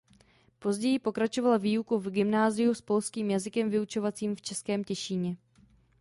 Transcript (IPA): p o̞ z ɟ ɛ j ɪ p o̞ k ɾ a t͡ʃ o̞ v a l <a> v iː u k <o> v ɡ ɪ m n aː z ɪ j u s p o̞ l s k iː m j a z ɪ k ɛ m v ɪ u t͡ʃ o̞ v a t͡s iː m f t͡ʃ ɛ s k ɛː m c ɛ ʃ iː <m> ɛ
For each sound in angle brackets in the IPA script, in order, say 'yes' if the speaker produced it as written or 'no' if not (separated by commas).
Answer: yes, no, no